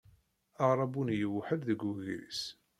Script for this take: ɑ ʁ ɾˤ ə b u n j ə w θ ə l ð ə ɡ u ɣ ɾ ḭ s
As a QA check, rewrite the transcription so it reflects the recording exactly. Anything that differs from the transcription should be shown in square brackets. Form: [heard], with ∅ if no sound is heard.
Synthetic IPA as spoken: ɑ ʁ ɾˤ [ɑ] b u n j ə w [ħ] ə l ð ə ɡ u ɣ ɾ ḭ s